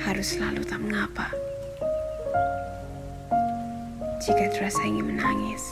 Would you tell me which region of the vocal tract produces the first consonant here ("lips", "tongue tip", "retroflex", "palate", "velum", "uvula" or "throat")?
throat